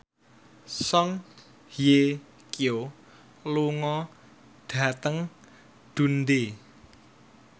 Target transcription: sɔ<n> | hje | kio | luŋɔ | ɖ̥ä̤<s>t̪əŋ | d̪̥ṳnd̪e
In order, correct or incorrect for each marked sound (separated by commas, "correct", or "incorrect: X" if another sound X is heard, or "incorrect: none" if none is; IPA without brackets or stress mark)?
incorrect: ŋ, incorrect: none